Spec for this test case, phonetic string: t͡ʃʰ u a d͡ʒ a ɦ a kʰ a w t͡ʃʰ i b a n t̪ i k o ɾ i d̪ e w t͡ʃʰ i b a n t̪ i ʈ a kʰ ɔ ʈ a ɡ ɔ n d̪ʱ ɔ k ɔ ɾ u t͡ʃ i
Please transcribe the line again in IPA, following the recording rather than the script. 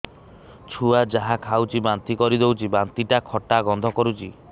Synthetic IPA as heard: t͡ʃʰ u a d͡ʒ a ɦ a kʰ a w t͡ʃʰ i b a n t̪ i k ɔ ɾ i d̪ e w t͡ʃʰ i b a n t̪ i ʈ a kʰ ɔ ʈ a ɡ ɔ n d̪ʱ ɔ k ɔ ɾ u t͡ʃ i